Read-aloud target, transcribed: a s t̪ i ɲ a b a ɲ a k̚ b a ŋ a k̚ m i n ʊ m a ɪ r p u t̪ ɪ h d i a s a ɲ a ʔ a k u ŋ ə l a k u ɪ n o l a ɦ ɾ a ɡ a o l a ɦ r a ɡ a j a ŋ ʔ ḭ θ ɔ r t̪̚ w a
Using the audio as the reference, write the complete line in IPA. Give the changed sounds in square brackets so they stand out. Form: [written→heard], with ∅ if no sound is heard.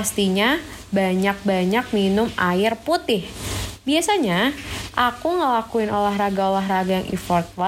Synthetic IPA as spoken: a s t̪ i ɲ a b a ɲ a k̚ b a [ŋ→ɲ] a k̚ m i n ʊ m a ɪ r p u t̪ ɪ h [d→b] i a s a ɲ a ʔ a k u ŋ ə l a k u ɪ n o l a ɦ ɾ a ɡ a o l a ɦ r a ɡ a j a ŋ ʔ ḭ [θ→f] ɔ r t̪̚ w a